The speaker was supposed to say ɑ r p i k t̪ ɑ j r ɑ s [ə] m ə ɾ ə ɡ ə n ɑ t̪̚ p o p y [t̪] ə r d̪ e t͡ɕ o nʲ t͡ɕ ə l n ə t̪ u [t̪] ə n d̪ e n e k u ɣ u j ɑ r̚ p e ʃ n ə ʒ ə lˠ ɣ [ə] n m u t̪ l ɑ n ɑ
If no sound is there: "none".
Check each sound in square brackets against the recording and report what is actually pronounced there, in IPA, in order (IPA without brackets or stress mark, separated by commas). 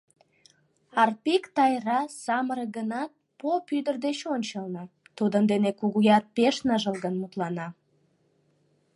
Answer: ɑ, d̪, d̪, ə